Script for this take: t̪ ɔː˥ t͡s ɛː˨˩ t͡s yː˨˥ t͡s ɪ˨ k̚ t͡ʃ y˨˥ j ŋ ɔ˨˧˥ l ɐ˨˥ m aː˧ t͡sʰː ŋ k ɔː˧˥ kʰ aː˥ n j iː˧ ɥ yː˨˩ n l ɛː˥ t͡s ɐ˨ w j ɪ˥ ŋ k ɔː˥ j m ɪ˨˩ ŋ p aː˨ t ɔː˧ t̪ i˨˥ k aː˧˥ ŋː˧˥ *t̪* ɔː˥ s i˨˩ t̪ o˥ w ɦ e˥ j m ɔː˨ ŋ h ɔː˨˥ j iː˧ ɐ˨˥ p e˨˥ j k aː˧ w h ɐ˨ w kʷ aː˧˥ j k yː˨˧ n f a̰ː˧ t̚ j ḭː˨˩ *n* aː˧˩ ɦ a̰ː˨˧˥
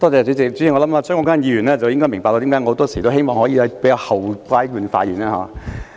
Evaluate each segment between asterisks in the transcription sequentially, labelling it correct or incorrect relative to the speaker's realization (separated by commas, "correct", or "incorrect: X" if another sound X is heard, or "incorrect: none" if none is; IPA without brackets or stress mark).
correct, correct